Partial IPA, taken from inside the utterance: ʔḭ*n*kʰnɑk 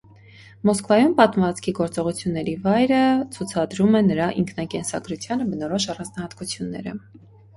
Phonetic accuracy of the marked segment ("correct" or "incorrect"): incorrect